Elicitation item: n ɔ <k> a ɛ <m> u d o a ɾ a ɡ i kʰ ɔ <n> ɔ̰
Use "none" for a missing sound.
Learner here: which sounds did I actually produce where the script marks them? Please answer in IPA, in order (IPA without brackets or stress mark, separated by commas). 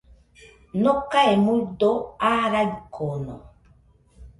k, m, n